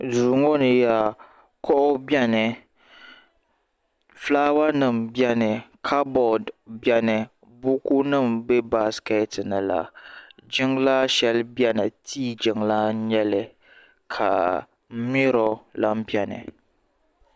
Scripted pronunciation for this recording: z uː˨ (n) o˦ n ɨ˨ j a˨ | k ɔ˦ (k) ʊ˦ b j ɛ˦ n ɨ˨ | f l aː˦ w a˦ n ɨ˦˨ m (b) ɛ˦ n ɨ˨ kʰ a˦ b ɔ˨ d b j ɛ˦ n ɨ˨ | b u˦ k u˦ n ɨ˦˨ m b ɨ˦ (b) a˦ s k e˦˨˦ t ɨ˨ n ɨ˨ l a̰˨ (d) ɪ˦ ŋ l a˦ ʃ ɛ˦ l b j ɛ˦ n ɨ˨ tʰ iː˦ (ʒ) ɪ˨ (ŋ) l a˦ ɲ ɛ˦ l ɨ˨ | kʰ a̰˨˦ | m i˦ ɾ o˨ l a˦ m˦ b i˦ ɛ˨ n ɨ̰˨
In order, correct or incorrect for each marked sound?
incorrect: ŋ, incorrect: ʔ, correct, correct, incorrect: d͡ʒ, incorrect: d͡ʒ, correct

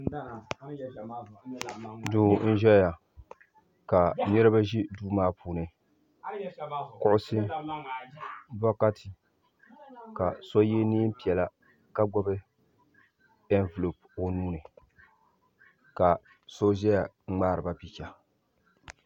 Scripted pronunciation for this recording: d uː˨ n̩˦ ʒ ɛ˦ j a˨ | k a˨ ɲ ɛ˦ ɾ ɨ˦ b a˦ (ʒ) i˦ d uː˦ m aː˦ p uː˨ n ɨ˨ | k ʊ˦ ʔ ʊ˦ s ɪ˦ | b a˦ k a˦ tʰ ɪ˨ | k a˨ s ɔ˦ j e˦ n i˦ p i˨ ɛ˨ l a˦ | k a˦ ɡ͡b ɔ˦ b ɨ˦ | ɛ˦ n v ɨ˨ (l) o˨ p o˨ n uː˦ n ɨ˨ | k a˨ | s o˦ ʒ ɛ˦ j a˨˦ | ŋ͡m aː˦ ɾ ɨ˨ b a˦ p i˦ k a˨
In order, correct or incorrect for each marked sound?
correct, correct

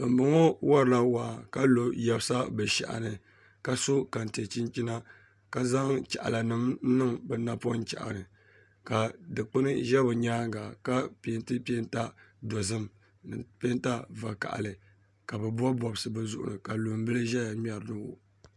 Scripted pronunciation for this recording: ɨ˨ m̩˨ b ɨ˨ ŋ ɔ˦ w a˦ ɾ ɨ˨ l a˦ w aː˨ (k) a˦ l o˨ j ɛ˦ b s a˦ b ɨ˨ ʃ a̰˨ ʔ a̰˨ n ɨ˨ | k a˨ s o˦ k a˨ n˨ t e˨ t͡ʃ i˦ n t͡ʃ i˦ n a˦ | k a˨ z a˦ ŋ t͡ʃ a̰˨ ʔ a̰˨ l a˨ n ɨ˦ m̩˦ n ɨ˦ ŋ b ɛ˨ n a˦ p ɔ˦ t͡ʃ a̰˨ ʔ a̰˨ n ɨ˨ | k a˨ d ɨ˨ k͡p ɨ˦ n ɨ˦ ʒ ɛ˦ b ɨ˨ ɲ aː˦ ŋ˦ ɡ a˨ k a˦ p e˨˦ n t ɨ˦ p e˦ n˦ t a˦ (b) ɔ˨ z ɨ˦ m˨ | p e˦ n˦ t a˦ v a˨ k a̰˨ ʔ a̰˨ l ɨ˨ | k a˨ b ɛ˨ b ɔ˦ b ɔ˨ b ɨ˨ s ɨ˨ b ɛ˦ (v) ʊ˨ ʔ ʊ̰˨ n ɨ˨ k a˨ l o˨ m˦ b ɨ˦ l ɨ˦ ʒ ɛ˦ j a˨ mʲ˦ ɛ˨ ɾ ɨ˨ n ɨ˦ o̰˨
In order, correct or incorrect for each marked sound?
correct, incorrect: d, incorrect: z

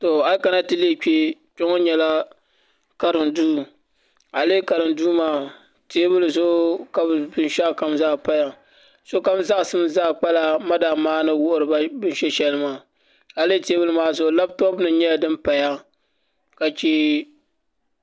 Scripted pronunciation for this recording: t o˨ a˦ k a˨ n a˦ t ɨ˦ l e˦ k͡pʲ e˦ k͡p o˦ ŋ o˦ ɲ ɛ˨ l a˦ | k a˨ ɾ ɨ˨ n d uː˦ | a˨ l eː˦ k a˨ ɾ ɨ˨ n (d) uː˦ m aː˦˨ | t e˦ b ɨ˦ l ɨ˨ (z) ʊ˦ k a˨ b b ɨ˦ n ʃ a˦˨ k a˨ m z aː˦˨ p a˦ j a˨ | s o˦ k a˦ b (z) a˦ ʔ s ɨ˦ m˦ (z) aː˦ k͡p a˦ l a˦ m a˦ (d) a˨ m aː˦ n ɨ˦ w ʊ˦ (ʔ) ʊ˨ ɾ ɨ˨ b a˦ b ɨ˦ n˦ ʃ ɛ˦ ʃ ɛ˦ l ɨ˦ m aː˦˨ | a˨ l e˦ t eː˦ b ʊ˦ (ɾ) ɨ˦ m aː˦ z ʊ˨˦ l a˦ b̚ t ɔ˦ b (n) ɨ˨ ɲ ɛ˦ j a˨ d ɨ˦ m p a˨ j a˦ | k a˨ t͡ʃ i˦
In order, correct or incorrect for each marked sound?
correct, correct, correct, correct, correct, correct, incorrect: l, correct

